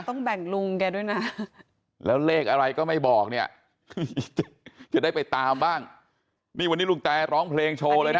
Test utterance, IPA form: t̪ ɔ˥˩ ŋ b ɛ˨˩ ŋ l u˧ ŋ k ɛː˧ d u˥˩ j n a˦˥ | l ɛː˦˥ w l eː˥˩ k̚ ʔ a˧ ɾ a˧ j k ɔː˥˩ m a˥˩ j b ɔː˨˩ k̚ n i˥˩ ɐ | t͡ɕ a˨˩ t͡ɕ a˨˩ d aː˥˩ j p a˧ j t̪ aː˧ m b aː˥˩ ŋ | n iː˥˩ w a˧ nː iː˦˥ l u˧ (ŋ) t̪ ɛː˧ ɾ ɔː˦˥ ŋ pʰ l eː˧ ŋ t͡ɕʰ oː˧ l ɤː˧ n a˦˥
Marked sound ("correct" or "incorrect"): correct